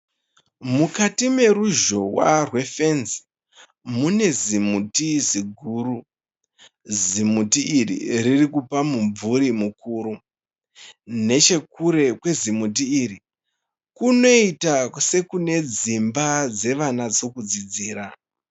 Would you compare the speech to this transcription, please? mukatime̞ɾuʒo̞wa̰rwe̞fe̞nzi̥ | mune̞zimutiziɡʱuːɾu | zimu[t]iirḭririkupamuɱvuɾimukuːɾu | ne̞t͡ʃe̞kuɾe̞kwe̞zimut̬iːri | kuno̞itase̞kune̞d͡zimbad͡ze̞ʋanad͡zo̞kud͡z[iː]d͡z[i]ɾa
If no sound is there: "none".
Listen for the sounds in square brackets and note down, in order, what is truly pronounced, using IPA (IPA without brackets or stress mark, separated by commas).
t, i, iː